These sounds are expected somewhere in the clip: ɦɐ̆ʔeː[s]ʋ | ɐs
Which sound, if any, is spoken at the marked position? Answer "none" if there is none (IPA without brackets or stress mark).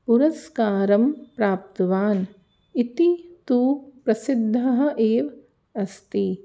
none